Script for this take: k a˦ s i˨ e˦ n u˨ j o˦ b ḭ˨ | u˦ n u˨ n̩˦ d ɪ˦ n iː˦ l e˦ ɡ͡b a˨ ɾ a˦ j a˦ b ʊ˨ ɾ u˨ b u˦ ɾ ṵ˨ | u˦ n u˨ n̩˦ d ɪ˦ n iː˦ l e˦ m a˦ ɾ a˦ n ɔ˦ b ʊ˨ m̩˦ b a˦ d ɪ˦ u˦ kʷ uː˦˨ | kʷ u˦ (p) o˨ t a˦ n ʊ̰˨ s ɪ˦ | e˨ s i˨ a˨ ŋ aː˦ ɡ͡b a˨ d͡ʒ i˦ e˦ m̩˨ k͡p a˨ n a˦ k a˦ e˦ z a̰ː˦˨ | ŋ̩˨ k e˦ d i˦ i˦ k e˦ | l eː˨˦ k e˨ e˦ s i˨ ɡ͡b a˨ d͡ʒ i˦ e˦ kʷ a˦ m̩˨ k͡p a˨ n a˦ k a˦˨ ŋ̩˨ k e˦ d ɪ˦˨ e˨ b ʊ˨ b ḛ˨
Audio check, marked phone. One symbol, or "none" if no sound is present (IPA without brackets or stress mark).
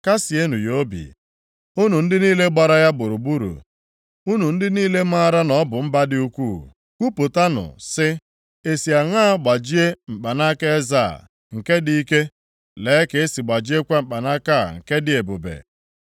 p